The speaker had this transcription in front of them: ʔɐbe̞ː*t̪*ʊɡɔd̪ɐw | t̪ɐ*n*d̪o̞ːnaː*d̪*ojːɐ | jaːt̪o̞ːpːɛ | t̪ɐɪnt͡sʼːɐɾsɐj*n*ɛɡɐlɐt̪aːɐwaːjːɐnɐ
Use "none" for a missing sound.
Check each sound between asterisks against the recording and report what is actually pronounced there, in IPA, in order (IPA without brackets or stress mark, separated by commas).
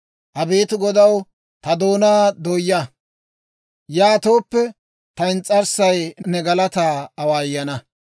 t̪, none, d̪, n